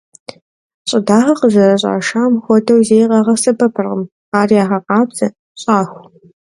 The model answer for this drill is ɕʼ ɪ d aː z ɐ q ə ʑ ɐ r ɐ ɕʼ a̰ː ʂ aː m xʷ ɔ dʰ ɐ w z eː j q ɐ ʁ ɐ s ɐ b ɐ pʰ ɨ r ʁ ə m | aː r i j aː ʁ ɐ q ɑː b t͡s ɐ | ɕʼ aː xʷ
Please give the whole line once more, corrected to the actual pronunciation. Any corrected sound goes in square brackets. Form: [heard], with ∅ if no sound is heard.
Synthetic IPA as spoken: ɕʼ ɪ d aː [ʁ] ɐ q ə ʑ ɐ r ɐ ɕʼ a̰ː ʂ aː m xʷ ɔ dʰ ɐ w z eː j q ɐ ʁ ɐ s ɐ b ɐ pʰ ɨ r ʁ ə m | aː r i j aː ʁ ɐ q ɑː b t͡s ɐ | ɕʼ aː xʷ

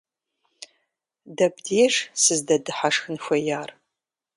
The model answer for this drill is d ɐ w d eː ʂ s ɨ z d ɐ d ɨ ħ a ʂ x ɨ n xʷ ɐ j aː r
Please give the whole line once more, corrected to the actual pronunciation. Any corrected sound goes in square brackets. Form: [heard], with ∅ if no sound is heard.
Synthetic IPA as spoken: d ɐ [b] d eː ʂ s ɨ z d ɐ d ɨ ħ a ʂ x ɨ n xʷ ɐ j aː r

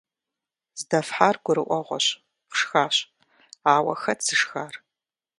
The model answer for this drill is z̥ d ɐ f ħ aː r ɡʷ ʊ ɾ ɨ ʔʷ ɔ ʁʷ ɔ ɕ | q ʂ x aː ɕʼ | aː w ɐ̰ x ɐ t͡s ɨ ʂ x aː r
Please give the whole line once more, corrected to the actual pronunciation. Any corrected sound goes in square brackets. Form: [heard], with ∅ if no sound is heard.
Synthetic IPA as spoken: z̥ d ɐ f ħ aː r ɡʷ ʊ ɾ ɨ ʔʷ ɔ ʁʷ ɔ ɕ | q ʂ x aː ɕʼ | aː w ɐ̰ x ɐ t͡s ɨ ʂ x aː r

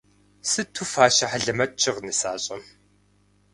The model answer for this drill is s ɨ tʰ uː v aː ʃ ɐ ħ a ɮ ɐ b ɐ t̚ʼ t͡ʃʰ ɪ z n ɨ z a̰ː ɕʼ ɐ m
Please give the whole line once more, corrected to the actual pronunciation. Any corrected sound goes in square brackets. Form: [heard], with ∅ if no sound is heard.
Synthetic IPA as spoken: s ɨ tʰ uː [f] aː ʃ ɐ ħ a ɮ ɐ [m] ɐ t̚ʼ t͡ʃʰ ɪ [ʁ] n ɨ [s] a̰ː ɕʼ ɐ m

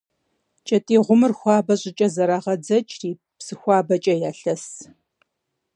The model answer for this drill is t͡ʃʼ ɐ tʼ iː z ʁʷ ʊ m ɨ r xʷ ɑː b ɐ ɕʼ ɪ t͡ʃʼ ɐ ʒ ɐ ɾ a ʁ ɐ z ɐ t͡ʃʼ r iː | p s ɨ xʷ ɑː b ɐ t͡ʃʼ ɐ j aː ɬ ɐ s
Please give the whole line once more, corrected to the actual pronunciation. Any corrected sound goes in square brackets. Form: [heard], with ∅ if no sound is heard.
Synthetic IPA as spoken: t͡ʃʼ ɐ tʼ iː [∅] ʁʷ ʊ m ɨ r xʷ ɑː b ɐ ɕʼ ɪ t͡ʃʼ ɐ [z] ɐ ɾ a ʁ ɐ [d͡z] ɐ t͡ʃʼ r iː | p s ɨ xʷ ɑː b ɐ t͡ʃʼ ɐ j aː ɬ ɐ s

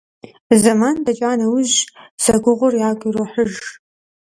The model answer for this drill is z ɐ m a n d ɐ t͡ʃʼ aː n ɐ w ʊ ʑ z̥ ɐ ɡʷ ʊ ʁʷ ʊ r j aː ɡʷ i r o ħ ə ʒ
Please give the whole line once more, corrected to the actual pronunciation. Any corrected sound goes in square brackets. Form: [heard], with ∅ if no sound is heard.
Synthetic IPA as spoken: z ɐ m a n d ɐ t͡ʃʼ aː n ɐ w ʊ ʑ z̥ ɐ ɡʷ ʊ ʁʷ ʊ r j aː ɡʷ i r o ħ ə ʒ

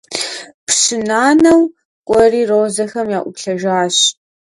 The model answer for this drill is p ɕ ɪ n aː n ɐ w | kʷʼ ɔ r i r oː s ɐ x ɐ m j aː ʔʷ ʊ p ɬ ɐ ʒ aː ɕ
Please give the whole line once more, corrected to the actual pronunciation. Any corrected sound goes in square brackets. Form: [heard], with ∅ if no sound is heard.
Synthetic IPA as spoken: p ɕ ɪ n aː n ɐ w | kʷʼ ɔ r [iː] r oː [z] ɐ x ɐ m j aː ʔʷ ʊ p ɬ ɐ ʒ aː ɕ

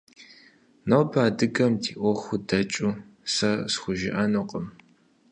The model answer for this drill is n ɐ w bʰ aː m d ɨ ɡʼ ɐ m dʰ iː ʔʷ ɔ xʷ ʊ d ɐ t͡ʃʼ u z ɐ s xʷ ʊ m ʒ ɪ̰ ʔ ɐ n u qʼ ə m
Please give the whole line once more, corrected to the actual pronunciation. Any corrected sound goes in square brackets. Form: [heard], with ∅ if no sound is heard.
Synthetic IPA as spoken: n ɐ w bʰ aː [∅] d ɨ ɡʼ ɐ m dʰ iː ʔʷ ɔ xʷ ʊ d ɐ t͡ʃʼ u [s] ɐ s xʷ ʊ [∅] ʒ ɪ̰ ʔ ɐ n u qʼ ə m

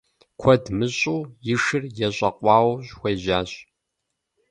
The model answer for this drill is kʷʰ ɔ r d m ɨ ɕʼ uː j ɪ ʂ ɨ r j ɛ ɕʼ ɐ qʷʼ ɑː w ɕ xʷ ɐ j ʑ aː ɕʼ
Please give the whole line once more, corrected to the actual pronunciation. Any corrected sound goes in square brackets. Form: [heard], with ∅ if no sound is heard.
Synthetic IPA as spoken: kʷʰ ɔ [∅] d m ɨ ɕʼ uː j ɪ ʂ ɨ r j ɛ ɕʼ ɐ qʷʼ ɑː w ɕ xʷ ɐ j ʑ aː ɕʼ

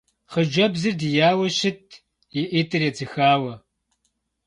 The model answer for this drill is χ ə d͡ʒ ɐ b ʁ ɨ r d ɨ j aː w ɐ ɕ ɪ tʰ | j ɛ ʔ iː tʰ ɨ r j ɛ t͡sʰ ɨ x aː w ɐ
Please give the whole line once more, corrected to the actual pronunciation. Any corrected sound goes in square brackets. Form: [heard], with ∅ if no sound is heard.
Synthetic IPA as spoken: χ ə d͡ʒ ɐ b [z] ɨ r d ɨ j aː w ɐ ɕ ɪ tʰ | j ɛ ʔ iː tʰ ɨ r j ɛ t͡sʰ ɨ x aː w ɐ

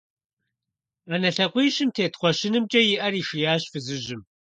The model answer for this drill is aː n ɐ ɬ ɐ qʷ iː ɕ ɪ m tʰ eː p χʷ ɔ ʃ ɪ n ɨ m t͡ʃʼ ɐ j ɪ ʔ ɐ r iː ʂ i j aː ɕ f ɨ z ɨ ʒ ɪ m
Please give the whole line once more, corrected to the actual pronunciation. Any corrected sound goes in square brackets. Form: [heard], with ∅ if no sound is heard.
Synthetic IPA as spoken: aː n ɐ ɬ ɐ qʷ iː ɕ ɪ m tʰ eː [t] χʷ ɔ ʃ ɪ n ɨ m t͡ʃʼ ɐ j ɪ ʔ ɐ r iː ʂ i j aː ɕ f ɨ z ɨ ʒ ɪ m

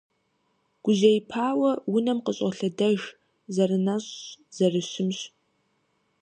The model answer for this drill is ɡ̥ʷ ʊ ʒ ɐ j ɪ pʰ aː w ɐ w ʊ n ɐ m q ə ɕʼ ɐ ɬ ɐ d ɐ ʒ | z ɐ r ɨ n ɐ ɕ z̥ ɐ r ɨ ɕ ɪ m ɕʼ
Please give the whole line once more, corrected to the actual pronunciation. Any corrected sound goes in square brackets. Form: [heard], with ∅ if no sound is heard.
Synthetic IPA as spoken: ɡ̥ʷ ʊ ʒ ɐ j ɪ pʰ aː w ɐ w ʊ n ɐ m q ə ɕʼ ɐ ɬ ɐ d ɐ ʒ | z ɐ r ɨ n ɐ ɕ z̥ ɐ r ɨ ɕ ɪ m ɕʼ

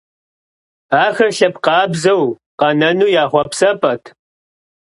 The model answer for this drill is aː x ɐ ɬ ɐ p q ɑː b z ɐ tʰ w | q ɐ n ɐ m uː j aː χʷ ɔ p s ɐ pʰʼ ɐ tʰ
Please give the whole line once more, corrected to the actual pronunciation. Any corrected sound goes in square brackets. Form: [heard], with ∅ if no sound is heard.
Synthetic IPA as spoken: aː x ɐ ɬ ɐ p q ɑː b z ɐ [∅] w | q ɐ n ɐ [n] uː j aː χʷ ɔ p s ɐ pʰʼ ɐ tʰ

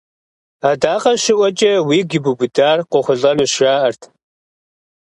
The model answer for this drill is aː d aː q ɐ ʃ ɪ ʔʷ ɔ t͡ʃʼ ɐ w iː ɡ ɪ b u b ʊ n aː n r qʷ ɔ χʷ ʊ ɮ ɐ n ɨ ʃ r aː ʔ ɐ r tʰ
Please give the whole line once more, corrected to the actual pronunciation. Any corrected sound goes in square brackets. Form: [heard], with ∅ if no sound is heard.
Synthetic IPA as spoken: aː d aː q ɐ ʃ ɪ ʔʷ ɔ t͡ʃʼ ɐ w iː ɡ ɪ b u b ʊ [d] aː [∅] r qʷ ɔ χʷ ʊ ɮ ɐ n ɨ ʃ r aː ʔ ɐ r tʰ

